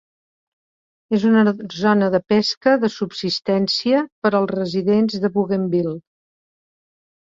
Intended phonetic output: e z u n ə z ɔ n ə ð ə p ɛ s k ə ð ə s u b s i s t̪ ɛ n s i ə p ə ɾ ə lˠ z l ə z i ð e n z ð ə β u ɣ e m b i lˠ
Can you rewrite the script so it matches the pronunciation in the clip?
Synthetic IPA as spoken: e z u n ə z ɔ n ə ð ə p ɛ s k ə ð ə s u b s i s t̪ ɛ n s i ə p ə ɾ ə lˠ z r ə z i ð e n z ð ə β u ɣ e m b i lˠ